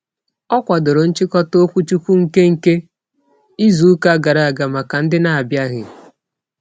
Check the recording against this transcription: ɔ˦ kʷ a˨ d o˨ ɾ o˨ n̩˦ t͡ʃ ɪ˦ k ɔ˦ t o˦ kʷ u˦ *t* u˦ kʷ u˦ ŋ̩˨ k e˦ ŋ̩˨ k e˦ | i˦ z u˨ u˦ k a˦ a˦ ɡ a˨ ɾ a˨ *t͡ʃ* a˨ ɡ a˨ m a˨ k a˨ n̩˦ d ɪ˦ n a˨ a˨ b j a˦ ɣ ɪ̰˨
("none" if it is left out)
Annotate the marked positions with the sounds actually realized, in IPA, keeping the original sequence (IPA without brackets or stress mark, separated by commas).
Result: t͡ʃ, none